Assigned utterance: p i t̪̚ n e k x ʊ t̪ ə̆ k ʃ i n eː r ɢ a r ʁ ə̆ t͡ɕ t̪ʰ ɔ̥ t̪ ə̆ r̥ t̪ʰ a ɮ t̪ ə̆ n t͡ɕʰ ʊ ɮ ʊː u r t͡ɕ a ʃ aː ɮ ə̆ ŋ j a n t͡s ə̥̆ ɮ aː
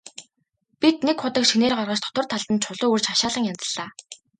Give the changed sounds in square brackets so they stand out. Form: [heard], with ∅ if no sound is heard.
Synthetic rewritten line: p i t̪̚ n e k [χ] ʊ t̪ ə̆ k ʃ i n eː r ɢ a r ʁ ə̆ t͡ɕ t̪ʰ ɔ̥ t̪ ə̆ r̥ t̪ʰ a ɮ t̪ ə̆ n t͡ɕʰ ʊ ɮ ʊː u r t͡ɕ a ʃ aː ɮ ə̆ ŋ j a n t͡s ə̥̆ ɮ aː